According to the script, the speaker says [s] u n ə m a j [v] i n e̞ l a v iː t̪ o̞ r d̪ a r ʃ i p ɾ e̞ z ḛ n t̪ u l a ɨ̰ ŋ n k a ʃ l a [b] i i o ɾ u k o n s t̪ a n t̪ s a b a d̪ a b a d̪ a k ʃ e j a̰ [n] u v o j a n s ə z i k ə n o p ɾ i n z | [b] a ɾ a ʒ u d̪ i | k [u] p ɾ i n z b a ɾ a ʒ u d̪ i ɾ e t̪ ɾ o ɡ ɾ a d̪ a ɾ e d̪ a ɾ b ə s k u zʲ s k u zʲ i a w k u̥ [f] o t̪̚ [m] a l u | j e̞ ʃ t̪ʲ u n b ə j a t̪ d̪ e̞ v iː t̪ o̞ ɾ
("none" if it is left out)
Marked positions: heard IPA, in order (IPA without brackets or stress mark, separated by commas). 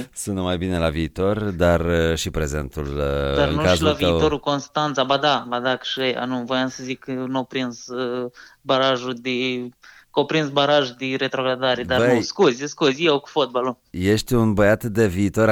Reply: s, b, v, n, b, o, f, b